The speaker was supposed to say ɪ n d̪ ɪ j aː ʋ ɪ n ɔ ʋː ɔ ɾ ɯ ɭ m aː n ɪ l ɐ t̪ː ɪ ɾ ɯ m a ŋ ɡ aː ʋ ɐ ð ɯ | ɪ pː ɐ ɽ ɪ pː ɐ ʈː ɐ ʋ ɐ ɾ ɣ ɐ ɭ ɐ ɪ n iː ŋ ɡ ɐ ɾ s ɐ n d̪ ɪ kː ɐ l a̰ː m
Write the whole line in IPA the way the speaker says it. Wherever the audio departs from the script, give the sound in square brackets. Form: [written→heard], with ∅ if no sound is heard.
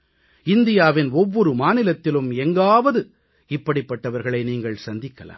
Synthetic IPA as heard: ɪ n d̪ ɪ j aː ʋ ɪ n ɔ ʋː ɔ ɾ ɯ [ɭ→∅] m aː n ɪ l ɐ t̪ː ɪ [ɾ→l] ɯ m [a→ɛ] ŋ ɡ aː ʋ ɐ ð ɯ | ɪ pː ɐ ɽ ɪ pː ɐ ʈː ɐ ʋ ɐ ɾ ɣ ɐ ɭ ɐ ɪ n iː ŋ ɡ ɐ [ɾ→ɭ] s ɐ n d̪ ɪ kː ɐ l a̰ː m